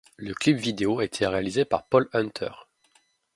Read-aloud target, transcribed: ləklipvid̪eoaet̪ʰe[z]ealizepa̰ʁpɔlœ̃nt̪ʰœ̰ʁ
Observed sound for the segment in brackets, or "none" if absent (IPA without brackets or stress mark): ʁ